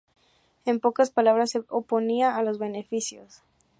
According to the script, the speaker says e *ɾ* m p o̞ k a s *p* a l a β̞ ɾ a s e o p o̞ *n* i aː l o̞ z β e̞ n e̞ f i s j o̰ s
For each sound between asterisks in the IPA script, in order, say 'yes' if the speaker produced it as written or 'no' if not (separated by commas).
no, yes, yes